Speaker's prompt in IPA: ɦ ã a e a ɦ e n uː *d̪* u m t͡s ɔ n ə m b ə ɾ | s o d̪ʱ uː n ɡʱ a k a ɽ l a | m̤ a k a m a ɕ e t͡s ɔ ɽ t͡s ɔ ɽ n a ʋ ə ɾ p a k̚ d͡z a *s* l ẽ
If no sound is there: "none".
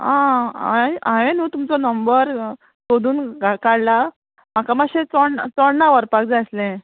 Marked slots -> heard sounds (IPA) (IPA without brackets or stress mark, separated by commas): t̪, s